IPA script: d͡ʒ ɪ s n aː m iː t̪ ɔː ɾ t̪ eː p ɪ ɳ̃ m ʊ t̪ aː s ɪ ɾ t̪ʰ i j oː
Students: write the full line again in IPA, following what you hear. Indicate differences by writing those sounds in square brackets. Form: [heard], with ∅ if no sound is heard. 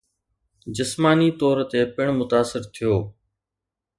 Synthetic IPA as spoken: d͡ʒ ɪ s [m] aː [n] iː t̪ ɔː ɾ t̪ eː p ɪ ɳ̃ m ʊ t̪ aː s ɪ ɾ t̪ʰ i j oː